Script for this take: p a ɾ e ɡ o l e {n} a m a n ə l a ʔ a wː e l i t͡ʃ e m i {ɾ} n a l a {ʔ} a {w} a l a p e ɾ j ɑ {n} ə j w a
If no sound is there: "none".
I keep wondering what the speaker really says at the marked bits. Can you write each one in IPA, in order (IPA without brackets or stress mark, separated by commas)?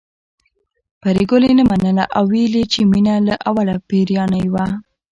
n, none, ʔ, w, n